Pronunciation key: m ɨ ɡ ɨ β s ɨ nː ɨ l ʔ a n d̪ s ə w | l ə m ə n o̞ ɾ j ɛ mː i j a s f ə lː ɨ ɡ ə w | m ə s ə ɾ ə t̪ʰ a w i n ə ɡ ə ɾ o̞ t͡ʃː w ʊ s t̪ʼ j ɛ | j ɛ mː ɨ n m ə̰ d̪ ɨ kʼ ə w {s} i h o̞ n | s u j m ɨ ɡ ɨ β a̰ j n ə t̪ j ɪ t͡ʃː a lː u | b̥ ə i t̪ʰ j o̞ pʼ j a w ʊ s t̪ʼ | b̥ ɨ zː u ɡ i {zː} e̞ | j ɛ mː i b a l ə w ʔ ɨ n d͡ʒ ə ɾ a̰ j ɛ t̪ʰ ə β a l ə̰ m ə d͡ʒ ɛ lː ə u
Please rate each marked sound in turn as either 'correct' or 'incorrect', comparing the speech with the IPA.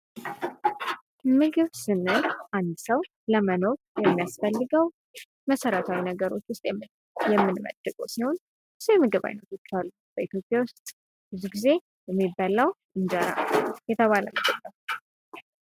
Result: correct, incorrect: z

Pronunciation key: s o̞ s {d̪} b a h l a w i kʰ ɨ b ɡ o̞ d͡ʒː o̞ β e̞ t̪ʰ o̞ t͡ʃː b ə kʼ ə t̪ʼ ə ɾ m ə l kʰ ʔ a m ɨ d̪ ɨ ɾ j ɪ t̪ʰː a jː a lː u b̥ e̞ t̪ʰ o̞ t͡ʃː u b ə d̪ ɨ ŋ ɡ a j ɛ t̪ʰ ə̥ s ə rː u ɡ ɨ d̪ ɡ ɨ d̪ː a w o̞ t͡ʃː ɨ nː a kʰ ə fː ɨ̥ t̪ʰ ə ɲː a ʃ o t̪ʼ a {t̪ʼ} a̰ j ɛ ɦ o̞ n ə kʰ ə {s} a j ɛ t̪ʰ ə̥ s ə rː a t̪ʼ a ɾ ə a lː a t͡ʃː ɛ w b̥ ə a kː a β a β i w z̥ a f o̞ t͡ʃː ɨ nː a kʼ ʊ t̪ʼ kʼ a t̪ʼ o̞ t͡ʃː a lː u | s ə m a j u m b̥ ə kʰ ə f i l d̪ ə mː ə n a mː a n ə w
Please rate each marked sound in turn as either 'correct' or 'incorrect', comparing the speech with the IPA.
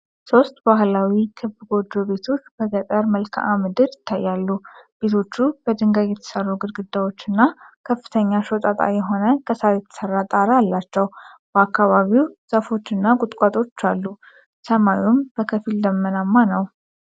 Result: incorrect: t̪, correct, correct

